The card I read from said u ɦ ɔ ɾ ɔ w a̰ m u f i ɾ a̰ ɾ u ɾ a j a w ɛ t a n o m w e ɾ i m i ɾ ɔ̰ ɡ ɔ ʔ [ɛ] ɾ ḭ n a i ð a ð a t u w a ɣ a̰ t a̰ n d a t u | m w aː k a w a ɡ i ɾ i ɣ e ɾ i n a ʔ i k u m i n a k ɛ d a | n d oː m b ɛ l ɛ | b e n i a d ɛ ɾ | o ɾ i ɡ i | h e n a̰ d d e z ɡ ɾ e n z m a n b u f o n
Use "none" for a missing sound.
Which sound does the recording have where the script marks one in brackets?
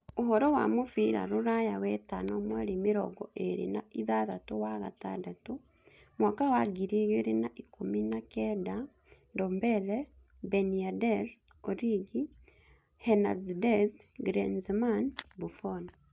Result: e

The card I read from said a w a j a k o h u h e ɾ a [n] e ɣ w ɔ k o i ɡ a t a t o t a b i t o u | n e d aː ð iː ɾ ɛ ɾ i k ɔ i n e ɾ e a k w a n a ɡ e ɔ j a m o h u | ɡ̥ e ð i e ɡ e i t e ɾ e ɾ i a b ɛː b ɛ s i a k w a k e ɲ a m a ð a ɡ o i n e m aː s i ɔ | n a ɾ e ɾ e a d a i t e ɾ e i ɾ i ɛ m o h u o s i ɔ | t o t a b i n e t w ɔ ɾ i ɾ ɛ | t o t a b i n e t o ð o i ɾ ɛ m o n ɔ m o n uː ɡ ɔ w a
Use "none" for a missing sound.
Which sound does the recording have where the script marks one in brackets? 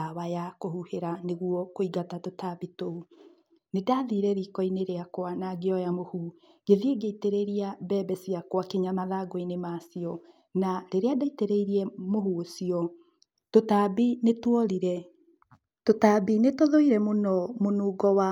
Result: n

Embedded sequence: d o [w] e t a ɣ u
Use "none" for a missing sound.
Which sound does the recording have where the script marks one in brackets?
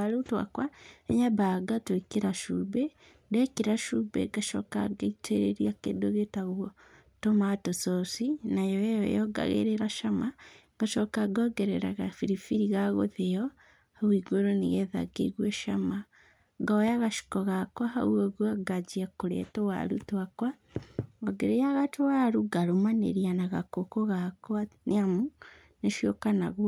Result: ɣ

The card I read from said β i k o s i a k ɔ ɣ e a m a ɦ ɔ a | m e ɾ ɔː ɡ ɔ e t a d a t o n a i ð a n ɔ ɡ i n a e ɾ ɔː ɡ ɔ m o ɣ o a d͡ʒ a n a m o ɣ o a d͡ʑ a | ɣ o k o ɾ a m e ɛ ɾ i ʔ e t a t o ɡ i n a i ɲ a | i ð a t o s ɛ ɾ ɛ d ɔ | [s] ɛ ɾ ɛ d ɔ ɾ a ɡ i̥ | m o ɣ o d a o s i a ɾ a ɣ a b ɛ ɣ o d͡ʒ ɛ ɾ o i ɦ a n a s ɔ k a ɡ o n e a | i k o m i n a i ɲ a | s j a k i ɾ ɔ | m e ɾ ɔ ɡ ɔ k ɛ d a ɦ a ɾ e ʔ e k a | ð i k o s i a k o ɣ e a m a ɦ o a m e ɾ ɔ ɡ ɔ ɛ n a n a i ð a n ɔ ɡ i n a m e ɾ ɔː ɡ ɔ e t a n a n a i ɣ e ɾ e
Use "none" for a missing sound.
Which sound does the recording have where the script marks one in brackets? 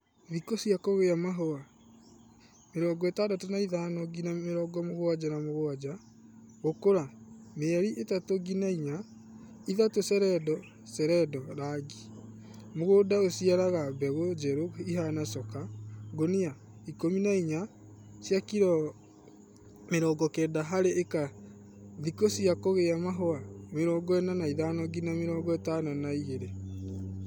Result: s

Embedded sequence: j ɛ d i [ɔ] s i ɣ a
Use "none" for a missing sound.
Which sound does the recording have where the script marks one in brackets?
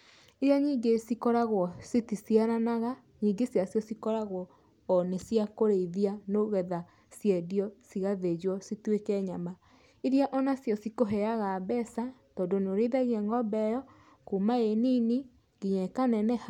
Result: ɔ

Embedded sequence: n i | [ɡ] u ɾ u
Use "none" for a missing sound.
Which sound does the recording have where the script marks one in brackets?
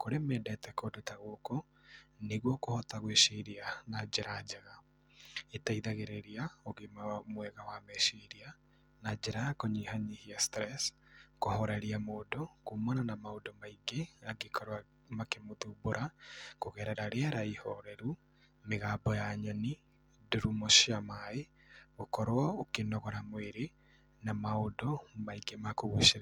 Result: d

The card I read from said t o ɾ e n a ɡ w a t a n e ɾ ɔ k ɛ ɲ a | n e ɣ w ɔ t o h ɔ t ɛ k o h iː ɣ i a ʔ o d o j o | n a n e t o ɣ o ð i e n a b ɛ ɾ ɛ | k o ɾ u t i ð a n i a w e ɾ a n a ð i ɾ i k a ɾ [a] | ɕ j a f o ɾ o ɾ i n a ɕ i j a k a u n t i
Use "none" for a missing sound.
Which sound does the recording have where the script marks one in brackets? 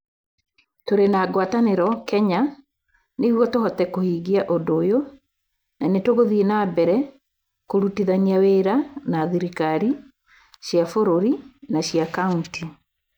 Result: i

